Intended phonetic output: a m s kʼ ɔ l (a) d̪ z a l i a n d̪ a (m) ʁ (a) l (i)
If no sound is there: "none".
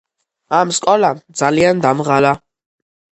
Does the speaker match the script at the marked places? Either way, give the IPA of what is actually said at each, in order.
a, m, a, a

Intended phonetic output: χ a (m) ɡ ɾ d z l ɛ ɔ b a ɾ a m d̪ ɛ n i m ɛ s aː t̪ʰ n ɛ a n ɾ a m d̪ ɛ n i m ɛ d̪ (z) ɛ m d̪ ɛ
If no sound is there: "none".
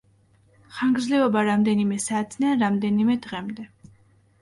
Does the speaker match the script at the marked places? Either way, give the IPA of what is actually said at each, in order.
ŋ, ʁ

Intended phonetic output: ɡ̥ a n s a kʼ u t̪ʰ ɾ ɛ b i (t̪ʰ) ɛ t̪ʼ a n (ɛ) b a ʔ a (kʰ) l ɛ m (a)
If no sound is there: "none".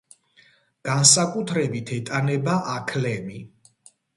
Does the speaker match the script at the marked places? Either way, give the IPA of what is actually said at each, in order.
t̪ʰ, ɛ, kʰ, i

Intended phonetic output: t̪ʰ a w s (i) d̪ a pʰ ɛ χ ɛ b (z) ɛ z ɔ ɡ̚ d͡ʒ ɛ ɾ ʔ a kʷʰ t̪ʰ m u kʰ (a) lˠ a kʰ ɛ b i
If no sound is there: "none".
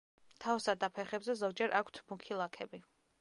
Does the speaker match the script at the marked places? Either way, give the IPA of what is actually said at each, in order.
a, z, i

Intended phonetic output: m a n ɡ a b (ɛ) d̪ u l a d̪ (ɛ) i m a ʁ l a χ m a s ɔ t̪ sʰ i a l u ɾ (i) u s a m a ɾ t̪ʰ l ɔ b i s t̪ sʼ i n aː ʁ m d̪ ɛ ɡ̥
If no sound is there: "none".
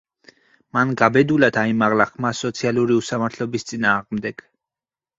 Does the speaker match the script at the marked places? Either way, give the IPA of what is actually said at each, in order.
ɛ, a, i

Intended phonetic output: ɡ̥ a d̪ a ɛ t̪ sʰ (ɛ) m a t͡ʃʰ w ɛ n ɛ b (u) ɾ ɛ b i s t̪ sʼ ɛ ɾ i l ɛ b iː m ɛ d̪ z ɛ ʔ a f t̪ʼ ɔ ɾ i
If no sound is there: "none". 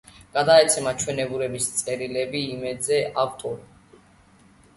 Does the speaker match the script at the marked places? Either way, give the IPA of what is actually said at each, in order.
ɛ, u

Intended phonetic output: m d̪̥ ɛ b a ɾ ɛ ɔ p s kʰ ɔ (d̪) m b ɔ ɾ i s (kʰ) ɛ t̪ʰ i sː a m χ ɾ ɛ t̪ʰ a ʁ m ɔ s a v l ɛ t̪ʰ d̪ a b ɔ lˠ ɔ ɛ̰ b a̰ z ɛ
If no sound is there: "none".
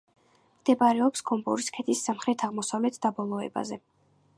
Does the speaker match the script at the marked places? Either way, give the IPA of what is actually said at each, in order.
none, kʰ

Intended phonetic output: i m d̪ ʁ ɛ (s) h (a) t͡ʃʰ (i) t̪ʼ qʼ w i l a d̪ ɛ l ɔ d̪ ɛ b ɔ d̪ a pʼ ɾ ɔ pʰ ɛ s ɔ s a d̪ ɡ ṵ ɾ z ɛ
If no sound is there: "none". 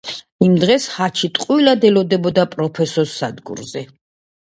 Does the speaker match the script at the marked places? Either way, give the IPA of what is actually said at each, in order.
s, a, i

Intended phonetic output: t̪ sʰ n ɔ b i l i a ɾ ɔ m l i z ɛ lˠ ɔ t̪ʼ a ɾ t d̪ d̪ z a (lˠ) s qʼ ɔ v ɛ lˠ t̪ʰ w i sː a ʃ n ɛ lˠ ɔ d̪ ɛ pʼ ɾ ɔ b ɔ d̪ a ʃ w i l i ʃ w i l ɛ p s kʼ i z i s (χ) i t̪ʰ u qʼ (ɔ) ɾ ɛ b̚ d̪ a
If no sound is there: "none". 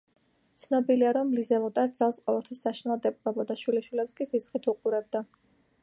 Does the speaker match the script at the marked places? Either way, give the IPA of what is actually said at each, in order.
lˠ, χ, u

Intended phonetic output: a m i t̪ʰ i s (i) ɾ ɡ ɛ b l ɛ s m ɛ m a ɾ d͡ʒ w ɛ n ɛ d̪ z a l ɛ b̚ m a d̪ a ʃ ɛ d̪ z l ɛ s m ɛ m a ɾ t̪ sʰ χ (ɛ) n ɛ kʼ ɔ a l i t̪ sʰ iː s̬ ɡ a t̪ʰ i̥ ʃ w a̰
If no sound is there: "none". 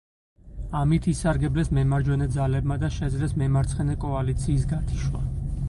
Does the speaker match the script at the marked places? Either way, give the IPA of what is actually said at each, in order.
a, ɛ

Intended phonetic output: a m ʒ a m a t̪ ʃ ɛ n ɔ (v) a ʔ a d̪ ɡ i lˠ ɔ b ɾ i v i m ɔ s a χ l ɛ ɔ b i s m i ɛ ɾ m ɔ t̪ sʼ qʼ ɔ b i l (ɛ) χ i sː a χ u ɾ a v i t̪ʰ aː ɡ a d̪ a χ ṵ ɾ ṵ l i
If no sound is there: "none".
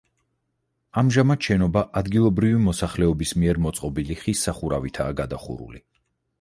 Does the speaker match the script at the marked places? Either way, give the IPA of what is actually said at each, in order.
b, i

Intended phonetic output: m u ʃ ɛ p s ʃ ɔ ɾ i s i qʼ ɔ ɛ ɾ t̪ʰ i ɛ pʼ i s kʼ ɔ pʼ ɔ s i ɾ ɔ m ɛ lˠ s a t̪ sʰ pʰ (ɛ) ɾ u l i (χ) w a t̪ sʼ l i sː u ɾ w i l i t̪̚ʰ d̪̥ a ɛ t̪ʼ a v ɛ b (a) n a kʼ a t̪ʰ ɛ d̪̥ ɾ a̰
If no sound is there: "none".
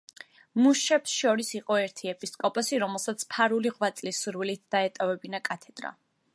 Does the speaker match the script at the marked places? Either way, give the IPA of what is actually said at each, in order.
a, ʁ, i

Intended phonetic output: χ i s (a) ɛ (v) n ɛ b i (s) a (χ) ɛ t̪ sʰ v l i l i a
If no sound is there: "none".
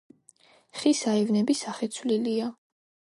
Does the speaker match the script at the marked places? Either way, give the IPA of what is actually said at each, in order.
a, v, s, χ

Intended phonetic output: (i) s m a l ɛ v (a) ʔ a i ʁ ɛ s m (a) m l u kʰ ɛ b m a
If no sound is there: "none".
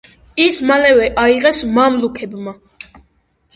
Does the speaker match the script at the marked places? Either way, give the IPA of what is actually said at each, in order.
i, ɛ, a

